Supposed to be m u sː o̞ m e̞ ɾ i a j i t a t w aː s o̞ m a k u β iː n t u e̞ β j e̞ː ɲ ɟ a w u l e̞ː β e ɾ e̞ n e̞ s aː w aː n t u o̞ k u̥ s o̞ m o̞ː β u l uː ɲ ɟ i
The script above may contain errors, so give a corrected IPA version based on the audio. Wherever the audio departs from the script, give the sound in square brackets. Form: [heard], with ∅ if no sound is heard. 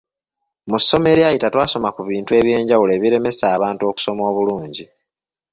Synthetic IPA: m u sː o̞ m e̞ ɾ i a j i t a t w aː s o̞ m a k u β iː n t u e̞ β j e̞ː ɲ ɟ a w u l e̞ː β [i] ɾ e̞ [m] e̞ s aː [β] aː n t u o̞ k u̥ s o̞ m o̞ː β u l uː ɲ ɟ i